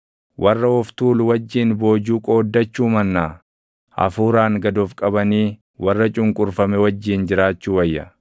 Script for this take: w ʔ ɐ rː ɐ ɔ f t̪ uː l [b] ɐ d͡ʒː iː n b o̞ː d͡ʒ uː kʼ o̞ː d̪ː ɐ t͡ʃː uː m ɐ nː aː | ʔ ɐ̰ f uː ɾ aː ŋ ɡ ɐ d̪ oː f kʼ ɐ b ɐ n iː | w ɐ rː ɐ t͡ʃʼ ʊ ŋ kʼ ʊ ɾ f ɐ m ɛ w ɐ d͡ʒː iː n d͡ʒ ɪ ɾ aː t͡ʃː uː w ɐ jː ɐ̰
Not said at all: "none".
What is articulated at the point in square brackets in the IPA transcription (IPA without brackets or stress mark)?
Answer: w